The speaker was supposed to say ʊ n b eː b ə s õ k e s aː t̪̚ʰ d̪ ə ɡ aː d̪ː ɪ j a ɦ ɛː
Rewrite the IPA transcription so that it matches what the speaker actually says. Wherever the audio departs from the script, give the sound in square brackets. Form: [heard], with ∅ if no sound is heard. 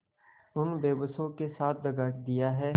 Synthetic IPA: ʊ n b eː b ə s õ k e s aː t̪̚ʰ d̪ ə ɡ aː [d̪] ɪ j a ɦ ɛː